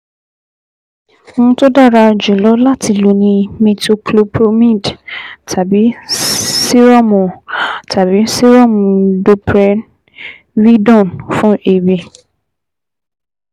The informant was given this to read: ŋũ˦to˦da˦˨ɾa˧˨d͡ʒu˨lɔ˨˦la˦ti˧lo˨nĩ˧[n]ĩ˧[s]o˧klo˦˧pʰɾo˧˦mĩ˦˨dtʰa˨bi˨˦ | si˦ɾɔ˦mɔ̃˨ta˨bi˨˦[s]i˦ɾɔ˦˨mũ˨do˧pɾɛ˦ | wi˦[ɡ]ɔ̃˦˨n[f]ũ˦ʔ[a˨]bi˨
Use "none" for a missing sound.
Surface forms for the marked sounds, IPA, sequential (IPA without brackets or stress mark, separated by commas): m, t, s, d, f, e˨